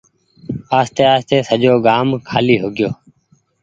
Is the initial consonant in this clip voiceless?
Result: yes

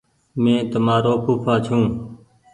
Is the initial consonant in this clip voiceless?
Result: no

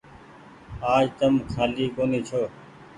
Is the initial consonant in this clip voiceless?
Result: no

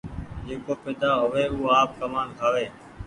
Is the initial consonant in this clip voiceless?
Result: no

